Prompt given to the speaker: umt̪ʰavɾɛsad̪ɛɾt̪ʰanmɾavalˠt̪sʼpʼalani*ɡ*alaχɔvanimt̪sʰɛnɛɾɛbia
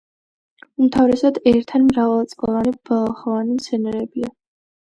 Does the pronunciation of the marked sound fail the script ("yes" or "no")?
yes